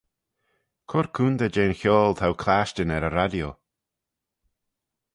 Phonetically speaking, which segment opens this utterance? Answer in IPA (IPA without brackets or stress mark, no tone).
kʰ